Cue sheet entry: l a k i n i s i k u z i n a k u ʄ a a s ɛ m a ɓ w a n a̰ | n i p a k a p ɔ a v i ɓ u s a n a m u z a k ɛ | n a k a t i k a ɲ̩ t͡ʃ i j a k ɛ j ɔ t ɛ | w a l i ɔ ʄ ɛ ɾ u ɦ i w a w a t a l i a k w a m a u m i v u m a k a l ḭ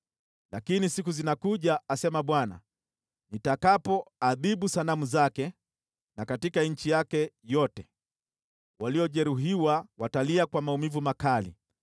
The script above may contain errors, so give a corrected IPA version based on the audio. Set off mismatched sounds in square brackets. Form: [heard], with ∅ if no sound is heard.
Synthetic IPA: l a k i n i s i k u z i n a k u ʄ a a s ɛ m a ɓ w a n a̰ | n i [t] a k a p ɔ a [ð] i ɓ u s a n a m u z a k ɛ | n a k a t i k a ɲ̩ t͡ʃ i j a k ɛ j ɔ t ɛ | w a l i ɔ ʄ ɛ ɾ u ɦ i w a w a t a l i a k w a m a u m i v u m a k a l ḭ